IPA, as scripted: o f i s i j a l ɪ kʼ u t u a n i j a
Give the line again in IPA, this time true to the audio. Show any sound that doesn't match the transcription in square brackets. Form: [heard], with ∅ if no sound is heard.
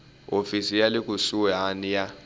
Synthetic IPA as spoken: o f i s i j a l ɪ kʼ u [s] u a n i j a